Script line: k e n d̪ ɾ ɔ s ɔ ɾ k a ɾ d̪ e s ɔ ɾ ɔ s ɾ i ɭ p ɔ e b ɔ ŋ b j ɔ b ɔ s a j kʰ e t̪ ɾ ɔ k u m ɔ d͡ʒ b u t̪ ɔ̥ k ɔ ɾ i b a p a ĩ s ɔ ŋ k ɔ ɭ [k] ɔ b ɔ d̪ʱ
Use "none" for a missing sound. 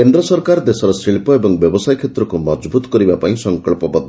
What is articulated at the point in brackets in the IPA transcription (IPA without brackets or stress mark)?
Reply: p